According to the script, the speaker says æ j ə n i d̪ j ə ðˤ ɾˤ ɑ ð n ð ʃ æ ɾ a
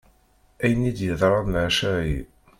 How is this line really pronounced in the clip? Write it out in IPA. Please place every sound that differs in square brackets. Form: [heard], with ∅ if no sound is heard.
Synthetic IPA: æ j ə n i d̪ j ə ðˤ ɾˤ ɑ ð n [ʕ] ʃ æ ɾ [i]